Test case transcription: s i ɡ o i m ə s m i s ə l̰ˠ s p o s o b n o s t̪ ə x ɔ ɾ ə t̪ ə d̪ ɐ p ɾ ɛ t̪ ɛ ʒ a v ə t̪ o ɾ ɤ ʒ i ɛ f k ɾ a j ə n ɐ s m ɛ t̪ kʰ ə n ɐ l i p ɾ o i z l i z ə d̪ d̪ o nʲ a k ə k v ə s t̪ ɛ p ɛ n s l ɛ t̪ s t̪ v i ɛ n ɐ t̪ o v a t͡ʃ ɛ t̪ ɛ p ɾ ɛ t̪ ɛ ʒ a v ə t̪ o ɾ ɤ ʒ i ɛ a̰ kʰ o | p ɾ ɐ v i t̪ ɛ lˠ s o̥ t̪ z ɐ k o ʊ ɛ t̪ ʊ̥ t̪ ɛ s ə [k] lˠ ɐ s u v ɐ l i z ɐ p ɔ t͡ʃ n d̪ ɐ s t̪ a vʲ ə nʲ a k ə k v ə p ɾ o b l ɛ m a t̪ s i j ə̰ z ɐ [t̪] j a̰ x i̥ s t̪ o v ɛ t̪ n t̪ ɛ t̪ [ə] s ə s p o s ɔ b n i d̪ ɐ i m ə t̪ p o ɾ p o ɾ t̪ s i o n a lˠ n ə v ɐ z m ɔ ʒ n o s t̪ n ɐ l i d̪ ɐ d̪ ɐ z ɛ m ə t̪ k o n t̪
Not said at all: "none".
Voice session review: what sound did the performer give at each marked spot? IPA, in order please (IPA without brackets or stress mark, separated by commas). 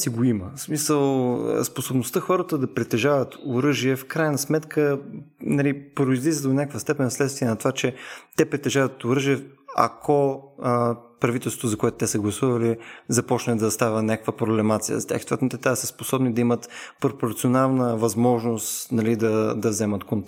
ɡ, t̪, a